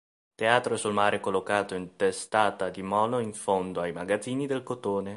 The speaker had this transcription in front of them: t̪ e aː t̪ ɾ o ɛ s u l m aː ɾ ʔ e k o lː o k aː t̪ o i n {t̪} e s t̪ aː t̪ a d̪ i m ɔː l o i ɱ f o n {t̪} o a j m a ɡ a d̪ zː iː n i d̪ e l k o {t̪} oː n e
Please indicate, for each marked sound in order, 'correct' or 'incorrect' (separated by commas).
correct, incorrect, correct